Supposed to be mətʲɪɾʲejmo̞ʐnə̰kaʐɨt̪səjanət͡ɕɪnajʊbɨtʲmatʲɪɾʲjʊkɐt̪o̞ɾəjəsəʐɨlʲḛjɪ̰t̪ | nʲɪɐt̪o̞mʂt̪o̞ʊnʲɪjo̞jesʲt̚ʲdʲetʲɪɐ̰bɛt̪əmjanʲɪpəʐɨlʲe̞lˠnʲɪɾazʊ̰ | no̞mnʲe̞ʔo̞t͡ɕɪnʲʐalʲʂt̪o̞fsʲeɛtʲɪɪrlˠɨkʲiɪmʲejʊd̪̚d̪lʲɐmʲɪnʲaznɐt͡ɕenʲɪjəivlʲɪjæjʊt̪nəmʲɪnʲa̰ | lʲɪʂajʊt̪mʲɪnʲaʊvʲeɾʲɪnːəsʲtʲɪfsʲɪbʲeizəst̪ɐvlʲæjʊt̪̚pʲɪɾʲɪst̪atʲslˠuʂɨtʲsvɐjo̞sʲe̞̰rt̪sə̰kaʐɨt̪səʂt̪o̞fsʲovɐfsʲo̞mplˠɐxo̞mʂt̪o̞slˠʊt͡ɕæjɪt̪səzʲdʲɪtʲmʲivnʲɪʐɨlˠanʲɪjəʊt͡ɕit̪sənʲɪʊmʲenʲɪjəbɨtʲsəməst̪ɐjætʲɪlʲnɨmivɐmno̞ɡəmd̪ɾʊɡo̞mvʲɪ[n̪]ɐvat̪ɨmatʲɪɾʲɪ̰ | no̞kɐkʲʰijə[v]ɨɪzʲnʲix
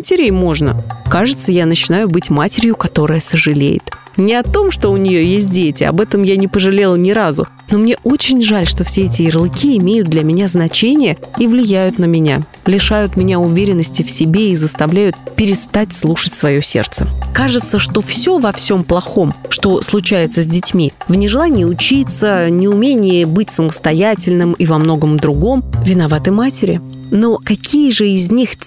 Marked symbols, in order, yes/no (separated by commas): yes, no